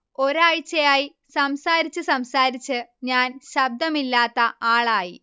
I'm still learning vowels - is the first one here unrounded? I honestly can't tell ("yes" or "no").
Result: no